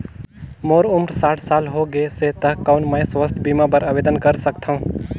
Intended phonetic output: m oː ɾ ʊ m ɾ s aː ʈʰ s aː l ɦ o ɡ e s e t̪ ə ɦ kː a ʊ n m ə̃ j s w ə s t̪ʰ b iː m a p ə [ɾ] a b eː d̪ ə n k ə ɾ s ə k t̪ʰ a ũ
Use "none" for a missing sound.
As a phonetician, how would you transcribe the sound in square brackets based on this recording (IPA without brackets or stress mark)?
ɾ